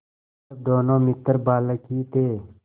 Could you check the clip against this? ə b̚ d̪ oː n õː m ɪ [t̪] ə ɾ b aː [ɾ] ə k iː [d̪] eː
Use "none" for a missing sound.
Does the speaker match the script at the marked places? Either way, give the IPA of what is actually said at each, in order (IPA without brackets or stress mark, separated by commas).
t̪, l, t̪